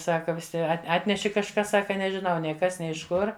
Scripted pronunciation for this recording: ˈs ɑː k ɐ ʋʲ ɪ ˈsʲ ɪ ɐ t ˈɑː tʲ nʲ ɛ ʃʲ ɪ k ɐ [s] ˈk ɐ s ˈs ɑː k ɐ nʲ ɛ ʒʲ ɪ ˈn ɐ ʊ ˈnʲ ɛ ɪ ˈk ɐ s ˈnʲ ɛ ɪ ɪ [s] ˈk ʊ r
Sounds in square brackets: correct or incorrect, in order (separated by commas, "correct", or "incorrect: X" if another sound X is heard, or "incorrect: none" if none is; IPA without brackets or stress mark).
incorrect: ʃ, incorrect: ʃ